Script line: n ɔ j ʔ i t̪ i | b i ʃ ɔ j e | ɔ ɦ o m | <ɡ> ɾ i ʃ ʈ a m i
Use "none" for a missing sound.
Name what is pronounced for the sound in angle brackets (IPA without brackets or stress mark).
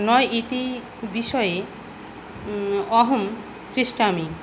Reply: k